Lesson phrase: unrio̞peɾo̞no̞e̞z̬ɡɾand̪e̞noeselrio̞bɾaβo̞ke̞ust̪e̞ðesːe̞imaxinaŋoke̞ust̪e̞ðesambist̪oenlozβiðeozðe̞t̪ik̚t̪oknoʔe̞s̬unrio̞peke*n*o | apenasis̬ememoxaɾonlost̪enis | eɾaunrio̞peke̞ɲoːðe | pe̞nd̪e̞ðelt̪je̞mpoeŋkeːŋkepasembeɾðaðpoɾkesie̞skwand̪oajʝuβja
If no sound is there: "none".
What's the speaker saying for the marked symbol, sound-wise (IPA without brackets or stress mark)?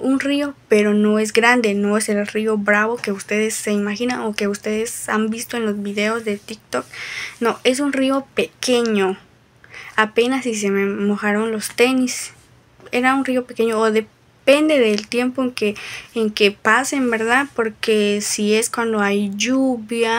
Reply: ɲ